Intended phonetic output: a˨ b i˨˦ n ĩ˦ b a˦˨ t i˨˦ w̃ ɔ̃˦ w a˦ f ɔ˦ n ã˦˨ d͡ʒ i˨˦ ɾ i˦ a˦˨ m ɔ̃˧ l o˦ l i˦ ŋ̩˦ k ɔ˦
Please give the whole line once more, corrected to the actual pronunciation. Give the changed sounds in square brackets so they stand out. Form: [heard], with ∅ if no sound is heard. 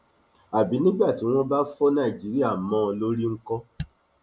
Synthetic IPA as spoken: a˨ b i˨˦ n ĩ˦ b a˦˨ t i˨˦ w̃ ɔ̃˦ [b] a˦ f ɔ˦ n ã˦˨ d͡ʒ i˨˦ ɾ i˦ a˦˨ m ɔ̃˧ l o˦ [ɾ] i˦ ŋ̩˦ k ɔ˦